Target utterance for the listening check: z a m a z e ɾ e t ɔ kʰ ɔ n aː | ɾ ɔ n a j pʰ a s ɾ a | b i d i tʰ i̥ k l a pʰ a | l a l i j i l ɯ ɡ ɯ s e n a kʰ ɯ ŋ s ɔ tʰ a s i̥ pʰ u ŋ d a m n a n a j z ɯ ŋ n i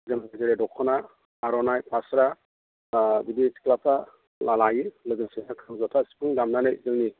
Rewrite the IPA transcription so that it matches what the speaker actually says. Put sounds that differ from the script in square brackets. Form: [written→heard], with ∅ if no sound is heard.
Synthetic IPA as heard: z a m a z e ɾ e [t→d] ɔ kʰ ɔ n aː | ɾ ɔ n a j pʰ a s ɾ a | b i d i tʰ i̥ k l a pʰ a | l a l [i→a] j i l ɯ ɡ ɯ s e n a kʰ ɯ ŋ [s→z] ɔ tʰ a s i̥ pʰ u ŋ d a m n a n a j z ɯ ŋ n i